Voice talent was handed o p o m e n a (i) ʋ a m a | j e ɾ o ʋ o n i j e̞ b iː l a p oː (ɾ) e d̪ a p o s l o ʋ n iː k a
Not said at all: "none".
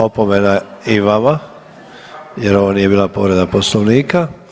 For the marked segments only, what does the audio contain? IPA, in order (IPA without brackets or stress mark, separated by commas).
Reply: i, ɾ